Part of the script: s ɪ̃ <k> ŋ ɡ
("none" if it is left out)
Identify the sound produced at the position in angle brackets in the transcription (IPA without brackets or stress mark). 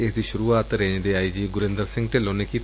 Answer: none